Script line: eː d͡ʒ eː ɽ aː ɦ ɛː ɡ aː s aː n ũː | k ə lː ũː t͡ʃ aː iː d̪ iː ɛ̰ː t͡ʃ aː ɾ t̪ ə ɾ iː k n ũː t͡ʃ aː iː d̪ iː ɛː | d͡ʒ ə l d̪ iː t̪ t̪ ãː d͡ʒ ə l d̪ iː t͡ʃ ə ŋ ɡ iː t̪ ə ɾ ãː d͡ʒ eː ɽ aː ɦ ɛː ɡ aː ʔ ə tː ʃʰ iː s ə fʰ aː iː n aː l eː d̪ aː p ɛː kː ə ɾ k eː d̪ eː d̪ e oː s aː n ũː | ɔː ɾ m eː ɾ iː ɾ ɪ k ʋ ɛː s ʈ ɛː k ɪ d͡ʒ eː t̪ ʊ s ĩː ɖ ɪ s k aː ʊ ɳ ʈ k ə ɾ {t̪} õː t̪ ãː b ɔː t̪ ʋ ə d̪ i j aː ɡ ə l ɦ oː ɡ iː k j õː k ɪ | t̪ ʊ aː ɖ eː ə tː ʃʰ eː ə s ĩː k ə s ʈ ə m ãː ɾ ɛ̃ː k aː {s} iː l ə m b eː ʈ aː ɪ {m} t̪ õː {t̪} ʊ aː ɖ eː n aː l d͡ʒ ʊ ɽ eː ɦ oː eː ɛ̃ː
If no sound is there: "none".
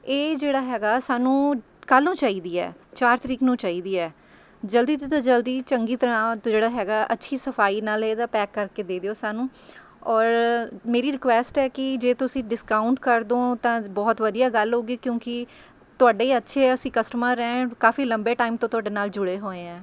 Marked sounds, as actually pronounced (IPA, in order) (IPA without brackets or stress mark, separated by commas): d̪, f, m, t̪